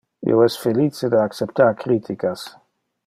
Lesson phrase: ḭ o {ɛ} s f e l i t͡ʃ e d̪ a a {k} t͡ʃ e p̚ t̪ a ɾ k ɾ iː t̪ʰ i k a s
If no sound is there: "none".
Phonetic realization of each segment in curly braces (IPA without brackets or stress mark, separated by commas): ɛ, k